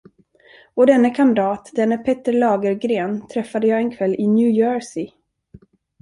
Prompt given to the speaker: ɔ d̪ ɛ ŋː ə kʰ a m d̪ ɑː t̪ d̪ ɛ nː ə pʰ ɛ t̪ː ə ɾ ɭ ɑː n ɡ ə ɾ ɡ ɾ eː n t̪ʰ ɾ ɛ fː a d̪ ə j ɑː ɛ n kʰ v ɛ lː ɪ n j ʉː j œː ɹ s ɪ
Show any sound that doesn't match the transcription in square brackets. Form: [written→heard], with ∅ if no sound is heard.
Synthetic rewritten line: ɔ d̪ ɛ [ŋː→nː] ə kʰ a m d̪ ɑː t̪ d̪ ɛ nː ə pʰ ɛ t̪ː ə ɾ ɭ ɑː [n→∅] ɡ ə ɾ ɡ ɾ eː n t̪ʰ ɾ ɛ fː a d̪ ə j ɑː ɛ n kʰ v ɛ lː ɪ n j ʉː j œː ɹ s ɪ